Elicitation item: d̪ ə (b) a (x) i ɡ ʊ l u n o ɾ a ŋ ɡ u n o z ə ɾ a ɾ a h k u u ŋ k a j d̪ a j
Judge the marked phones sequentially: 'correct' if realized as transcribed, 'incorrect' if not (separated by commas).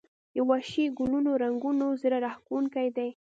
incorrect, incorrect